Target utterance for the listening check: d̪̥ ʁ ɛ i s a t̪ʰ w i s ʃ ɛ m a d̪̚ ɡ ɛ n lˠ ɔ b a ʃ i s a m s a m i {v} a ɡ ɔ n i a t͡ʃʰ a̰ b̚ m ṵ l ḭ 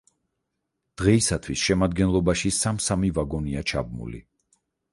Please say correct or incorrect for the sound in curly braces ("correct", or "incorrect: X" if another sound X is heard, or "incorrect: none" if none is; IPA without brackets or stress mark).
correct